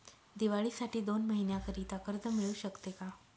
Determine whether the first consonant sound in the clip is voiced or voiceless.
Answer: voiced